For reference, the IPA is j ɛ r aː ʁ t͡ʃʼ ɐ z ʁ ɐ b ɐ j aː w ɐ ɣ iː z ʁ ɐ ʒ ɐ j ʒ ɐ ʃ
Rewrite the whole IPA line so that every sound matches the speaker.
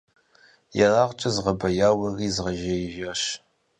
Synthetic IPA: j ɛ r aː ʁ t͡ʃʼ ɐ z ʁ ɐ b ɐ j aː w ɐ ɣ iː z ʁ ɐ ʒ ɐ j ʒ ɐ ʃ